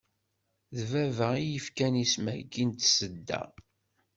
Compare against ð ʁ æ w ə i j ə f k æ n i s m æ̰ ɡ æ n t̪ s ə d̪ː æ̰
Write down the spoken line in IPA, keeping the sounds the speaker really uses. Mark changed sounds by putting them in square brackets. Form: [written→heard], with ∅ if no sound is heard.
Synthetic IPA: ð [ʁ→v] æ [w→v] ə i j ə f k æ n i s m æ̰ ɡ [æ→i] n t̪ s ə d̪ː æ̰

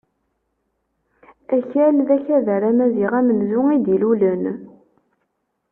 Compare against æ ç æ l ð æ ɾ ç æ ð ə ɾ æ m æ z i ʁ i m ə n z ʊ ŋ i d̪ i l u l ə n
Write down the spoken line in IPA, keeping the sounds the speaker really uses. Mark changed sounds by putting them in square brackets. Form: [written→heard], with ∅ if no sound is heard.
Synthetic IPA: æ ç æ l ð æ [ɾ→∅] ç æ ð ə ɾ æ m æ z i ʁ [i→æ] m ə n z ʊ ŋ i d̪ i l u l ə n

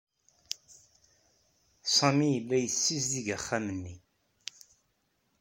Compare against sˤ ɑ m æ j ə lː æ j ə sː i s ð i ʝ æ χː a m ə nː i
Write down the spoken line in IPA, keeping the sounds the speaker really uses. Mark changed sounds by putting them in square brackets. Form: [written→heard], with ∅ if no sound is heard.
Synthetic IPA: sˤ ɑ m [æ→i] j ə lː æ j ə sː i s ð i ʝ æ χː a m ə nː i

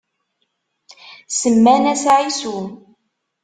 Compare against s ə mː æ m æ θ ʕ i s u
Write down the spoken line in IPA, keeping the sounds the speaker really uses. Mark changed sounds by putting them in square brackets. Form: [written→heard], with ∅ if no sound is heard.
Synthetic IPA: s ə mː æ [m→n] æ [θ→s] ʕ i s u

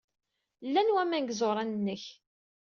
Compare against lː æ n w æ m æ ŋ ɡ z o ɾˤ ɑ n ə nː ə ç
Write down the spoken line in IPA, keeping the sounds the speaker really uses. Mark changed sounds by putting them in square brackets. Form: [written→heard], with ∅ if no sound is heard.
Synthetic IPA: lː æ n w æ m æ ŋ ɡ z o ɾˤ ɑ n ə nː ə ç

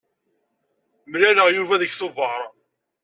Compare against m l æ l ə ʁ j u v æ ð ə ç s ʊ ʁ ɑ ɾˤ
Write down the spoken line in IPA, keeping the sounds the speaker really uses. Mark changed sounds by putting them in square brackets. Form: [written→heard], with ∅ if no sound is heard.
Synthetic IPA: m l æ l ə ʁ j u v æ ð ə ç [s→θ] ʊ [ʁ→v] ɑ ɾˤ

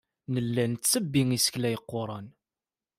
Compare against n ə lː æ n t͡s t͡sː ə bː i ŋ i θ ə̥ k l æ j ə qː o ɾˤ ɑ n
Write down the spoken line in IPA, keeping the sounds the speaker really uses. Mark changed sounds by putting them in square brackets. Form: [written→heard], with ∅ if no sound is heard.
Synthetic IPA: n ə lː æ n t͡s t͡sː ə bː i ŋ i [θ→s] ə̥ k l æ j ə qː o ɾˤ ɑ n

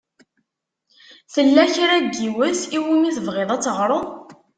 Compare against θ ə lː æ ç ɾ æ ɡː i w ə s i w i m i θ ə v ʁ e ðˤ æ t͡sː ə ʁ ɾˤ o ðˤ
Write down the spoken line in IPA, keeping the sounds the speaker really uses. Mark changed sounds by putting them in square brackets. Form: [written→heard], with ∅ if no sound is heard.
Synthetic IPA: θ ə lː æ ç ɾ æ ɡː i w ə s i w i m i θ ə v ʁ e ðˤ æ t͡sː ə ʁ ɾˤ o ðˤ

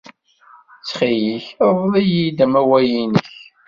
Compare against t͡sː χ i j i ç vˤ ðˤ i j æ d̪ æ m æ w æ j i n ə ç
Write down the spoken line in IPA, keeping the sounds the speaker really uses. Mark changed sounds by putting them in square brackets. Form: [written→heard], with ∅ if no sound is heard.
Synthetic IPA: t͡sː χ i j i ç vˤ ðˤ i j [æ→i] d̪ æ m æ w æ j i n ə ç

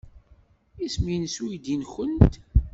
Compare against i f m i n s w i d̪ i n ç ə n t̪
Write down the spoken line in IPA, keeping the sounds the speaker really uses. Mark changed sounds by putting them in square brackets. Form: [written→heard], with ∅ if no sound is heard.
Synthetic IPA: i [f→s] m i n s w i d̪ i n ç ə n t̪

